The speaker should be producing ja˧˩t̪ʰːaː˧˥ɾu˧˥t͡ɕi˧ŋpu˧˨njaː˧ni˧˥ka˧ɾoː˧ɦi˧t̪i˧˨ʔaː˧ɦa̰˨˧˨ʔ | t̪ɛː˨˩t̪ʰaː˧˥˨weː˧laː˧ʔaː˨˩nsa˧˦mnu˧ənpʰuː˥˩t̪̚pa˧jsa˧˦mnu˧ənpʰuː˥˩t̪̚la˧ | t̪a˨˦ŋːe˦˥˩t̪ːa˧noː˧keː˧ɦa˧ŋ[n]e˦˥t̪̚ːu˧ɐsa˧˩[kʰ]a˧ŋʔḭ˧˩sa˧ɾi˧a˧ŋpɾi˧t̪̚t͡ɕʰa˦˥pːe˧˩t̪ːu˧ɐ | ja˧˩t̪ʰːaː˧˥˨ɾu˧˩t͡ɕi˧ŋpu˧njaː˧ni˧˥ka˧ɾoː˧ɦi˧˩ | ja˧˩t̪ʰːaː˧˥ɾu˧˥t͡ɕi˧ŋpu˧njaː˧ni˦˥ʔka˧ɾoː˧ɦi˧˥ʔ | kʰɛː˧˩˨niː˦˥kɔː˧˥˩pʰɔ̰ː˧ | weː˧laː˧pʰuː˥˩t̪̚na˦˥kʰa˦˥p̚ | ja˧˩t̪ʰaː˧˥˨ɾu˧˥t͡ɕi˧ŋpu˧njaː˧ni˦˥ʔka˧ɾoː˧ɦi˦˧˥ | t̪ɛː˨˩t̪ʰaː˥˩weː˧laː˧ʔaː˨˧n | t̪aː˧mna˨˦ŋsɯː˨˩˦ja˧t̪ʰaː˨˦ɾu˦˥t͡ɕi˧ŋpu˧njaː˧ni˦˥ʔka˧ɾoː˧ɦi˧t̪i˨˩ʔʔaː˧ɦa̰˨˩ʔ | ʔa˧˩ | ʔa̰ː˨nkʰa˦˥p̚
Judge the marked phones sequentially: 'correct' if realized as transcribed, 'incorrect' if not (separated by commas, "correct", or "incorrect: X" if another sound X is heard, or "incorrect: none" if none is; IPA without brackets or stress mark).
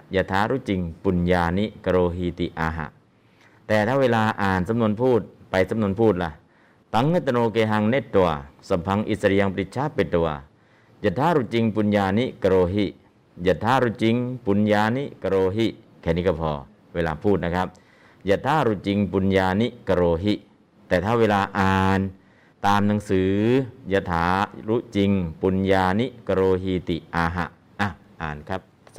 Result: correct, incorrect: pʰ